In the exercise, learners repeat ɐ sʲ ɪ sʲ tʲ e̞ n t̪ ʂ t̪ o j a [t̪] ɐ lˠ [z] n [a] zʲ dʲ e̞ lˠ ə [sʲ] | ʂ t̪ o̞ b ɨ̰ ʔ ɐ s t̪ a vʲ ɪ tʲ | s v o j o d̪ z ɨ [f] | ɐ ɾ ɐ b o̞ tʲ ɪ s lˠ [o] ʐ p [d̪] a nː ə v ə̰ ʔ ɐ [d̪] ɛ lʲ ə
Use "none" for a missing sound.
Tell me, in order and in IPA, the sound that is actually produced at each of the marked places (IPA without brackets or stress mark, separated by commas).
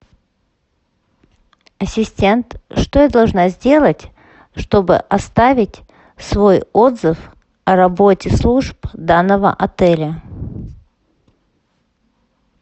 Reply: d̪, ʐ, a, tʲ, f, u, d̪, t̪